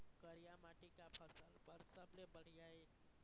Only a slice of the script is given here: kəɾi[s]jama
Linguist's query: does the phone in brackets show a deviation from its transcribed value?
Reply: yes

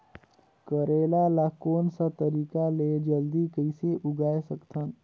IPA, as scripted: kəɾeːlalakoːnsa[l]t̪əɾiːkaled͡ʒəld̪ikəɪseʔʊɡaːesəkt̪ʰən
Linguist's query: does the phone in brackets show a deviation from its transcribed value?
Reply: yes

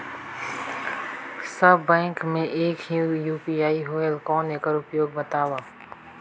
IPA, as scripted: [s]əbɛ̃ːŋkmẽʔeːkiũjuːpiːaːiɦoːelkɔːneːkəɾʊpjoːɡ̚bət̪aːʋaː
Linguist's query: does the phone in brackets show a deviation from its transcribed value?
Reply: no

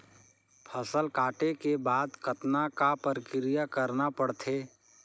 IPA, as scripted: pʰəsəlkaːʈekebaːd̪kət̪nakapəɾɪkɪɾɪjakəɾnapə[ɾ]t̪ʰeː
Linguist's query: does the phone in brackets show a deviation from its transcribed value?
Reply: yes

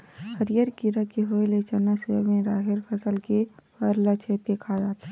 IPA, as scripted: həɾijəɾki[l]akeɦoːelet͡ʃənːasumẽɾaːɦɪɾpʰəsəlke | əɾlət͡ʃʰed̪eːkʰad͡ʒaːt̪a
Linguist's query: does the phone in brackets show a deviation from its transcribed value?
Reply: yes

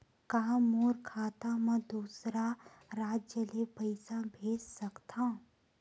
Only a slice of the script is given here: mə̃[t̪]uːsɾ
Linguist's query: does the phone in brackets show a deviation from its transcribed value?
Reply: yes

